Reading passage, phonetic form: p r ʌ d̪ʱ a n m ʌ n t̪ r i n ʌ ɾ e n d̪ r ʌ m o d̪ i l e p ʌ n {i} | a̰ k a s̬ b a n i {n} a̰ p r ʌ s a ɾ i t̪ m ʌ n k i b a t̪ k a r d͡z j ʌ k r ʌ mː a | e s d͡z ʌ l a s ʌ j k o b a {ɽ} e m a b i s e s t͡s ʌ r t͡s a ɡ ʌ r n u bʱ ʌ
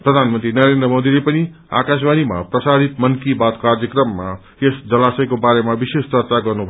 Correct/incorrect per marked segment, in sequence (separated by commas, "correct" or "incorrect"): correct, incorrect, incorrect